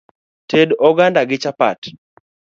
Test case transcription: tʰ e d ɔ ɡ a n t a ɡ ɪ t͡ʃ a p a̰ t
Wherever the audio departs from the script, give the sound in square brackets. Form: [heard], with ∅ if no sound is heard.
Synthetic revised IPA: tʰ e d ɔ ɡ a n [d] a ɡ ɪ t͡ʃ a p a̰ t